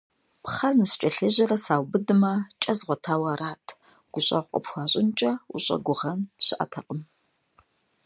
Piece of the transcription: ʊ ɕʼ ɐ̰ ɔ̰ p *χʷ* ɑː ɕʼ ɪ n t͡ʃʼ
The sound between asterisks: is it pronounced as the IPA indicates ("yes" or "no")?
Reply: no